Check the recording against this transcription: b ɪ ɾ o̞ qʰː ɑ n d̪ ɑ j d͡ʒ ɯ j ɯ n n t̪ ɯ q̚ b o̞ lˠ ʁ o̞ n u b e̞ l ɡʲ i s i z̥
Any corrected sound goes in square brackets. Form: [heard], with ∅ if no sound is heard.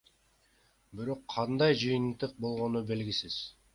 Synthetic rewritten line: b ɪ ɾ o̞ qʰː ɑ n d̪ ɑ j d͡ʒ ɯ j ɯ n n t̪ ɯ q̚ b o̞ lˠ ʁ o̞ n u b e̞ l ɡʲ i s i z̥